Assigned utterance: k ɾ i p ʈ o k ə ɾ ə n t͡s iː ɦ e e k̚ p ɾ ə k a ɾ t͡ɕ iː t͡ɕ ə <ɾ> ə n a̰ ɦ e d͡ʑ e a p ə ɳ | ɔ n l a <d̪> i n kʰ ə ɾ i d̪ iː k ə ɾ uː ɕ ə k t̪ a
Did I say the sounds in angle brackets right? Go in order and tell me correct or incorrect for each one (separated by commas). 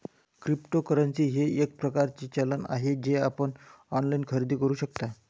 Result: incorrect, incorrect